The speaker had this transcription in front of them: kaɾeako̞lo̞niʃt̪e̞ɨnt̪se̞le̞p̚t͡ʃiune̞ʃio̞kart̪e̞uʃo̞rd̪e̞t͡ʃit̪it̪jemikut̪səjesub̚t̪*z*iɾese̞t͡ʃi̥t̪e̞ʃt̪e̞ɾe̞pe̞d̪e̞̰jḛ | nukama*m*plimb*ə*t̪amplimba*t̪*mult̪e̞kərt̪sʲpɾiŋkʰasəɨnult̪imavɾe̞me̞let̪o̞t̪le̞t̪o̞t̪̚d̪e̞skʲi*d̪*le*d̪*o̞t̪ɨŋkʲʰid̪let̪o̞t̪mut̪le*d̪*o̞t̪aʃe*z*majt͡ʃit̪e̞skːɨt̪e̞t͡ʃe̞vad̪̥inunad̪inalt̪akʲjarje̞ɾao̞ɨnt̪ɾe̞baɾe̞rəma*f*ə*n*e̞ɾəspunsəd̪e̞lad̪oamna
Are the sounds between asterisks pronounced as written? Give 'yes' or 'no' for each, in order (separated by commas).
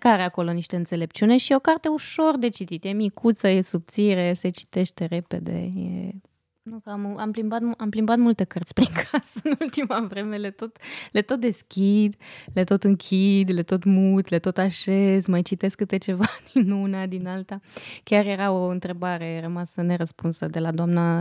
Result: no, yes, no, yes, yes, no, no, yes, no, yes